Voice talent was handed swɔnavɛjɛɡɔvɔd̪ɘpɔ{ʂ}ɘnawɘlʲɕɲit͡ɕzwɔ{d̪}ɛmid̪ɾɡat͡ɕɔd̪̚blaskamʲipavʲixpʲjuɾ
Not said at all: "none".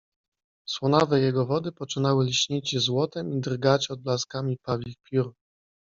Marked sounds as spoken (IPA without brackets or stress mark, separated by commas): t͡ʂ, t̪